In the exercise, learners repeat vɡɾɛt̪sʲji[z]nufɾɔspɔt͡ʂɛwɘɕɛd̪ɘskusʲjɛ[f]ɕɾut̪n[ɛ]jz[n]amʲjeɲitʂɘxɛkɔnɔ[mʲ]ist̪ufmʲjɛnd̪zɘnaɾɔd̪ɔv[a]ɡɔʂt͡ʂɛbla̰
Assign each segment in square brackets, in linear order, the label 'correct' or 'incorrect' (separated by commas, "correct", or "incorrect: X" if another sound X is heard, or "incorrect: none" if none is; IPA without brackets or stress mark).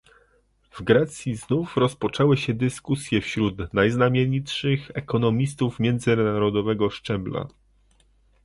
correct, correct, incorrect: a, correct, correct, incorrect: ɛ